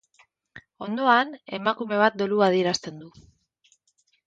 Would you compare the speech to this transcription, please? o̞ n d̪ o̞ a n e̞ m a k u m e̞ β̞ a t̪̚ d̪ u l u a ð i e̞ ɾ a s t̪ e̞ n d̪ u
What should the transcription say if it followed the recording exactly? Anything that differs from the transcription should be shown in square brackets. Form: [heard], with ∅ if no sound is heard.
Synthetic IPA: o̞ n d̪ o̞ a n e̞ m a k u m e̞ β̞ a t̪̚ d̪ [o] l u a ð i e̞ ɾ a s t̪ e̞ n d̪ u